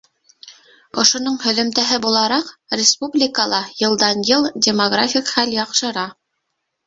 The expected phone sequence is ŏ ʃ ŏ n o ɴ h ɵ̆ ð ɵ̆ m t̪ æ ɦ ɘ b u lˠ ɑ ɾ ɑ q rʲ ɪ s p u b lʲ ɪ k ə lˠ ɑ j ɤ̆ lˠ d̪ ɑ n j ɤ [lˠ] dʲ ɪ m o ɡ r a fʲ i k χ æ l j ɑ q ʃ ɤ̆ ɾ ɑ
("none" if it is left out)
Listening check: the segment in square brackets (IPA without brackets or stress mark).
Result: lˠ